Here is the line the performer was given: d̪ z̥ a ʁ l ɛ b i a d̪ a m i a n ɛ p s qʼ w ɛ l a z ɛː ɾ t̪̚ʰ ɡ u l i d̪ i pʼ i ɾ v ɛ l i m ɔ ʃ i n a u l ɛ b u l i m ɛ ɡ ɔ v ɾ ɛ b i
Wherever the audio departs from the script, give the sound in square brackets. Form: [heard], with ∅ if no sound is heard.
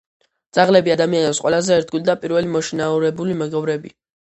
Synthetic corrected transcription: d̪ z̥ a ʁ l ɛ b i a d̪ a m i a n ɛ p s qʼ w ɛ l a z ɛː ɾ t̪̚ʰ ɡ u l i d̪ [a] pʼ i ɾ v ɛ l i m ɔ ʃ i n a u [ɾ] ɛ b u l i m ɛ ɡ ɔ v ɾ ɛ b i